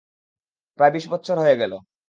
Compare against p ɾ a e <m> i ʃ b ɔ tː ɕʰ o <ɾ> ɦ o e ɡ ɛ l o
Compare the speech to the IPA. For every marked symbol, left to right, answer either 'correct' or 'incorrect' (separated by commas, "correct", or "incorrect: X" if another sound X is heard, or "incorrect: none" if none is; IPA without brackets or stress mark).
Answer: incorrect: b, correct